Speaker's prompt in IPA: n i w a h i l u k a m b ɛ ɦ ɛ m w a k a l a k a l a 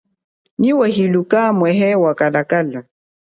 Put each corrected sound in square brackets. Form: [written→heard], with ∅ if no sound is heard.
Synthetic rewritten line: n i w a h i l u k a m [b→w] ɛ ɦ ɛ [m→∅] w a k a l a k a l a